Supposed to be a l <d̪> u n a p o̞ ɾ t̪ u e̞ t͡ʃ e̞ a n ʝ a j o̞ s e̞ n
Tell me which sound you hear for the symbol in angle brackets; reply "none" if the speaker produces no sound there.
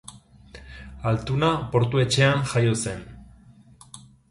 t̪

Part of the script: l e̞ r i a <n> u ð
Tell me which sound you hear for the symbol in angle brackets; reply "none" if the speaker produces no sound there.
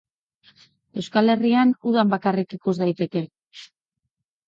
n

